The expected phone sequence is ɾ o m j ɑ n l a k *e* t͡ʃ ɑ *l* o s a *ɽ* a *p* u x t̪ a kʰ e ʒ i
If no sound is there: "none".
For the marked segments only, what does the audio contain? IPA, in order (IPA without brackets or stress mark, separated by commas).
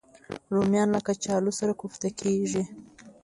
a, l, ɾ, k